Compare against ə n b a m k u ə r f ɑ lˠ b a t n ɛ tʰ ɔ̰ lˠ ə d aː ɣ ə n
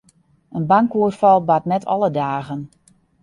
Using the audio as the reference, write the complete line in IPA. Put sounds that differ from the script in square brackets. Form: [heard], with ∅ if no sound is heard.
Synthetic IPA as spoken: ə n b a [ŋ] k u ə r f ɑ lˠ b a t n ɛ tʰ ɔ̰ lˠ ə d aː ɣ ə n